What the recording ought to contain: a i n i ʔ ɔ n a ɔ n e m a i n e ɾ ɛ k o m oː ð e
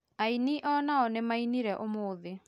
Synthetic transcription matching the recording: a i n i ʔ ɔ n a ɔ n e m a i n i ɾ ɛ ʔ o m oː ð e